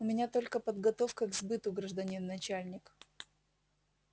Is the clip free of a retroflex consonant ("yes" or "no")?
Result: no